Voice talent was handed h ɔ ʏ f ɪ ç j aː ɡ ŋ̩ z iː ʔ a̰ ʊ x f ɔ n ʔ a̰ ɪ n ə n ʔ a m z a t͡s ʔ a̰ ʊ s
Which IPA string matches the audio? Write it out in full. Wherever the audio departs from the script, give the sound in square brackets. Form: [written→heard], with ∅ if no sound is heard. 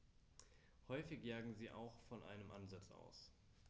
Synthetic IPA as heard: h ɔ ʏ f ɪ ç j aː ɡ ŋ̩ z iː ʔ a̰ ʊ x f ɔ n ʔ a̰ ɪ n ə [n→m] ʔ a [m→n] z a t͡s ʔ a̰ ʊ s